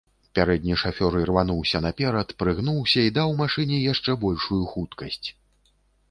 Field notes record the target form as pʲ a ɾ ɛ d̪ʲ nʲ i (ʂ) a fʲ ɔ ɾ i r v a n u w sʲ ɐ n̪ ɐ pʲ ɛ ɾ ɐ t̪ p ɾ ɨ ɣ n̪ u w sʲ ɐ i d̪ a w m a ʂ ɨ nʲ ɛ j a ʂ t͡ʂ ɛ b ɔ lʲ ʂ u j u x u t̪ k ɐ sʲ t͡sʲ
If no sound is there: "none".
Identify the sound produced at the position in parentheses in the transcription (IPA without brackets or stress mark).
ʂ